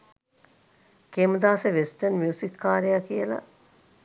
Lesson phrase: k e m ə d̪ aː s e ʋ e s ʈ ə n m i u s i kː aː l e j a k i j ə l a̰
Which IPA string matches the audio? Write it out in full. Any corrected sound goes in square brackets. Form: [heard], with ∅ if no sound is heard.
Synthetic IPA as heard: k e m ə d̪ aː s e ʋ e s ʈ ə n m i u s i kː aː [ɾ] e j a k i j ə l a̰